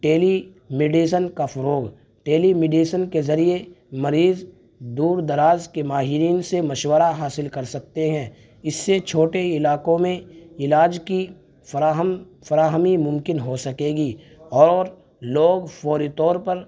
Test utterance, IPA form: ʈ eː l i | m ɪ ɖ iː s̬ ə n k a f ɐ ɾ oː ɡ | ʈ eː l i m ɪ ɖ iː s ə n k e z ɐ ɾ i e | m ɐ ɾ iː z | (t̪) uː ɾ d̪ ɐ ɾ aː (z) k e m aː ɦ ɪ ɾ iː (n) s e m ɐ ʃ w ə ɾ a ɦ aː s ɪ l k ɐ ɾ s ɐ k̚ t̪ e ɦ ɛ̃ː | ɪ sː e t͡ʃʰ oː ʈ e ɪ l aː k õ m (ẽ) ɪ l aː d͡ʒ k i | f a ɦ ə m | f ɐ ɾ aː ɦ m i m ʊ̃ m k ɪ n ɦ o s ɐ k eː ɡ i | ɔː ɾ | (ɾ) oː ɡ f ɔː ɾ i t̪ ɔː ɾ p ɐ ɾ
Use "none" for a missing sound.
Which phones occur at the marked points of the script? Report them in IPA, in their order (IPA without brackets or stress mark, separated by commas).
d̪, z, n, ẽ, l